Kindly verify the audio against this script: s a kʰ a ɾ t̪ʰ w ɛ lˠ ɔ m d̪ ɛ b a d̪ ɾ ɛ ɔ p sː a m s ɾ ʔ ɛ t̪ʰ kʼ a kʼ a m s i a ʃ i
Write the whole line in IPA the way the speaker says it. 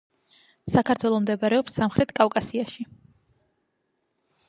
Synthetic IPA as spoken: s a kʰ a ɾ t̪ʰ w ɛ lˠ ɔ m d̪ ɛ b a ɾ ɛ ɔ p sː a m χ ɾ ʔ ɛ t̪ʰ kʼ a kʼ a s i a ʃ i

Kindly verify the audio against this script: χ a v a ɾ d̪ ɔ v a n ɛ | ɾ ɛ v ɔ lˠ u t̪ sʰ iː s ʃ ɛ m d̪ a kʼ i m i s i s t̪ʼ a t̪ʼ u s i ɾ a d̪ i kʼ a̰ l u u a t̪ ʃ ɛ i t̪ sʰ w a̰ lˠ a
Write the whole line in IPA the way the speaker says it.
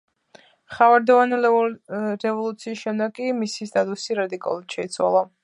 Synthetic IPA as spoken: χ a v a ɾ d̪ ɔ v a n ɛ | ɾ ɛ v ɔ lˠ u t̪ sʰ iː s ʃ ɛ m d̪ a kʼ i m i s i s t̪ʼ a t̪ʼ u s i ɾ a d̪ i kʼ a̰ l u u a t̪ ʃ ɛ i t̪ sʰ w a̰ lˠ a

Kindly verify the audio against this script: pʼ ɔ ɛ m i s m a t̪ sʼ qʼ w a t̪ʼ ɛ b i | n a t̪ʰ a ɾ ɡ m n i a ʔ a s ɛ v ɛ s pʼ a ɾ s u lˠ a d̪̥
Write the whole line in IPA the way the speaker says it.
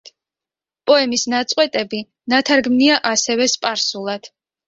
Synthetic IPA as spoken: pʼ ɔ ɛ m i s n a t̪ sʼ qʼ w ɛ t̪ʼ ɛ b i | n a t̪ʰ a ɾ ɡ m n i a ʔ a s ɛ v ɛ s pʼ a ɾ s u lˠ a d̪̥

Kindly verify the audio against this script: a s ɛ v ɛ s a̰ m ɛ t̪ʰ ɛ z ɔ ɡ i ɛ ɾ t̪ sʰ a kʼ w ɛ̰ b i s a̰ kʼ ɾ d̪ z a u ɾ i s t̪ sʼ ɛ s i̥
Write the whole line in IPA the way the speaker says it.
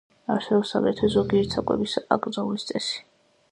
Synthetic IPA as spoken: a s ɛ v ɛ s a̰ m ɛ t̪ʰ ɛ z ɔ ɡ i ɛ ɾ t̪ sʰ a kʼ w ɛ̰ b i s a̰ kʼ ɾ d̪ z a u l i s t̪ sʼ ɛ s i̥

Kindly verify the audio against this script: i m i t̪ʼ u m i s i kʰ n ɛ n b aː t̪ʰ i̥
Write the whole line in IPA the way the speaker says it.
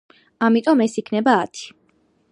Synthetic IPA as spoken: a m i t̪ʼ ɔ m ɛ s i kʰ n ɛ b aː t̪ʰ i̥

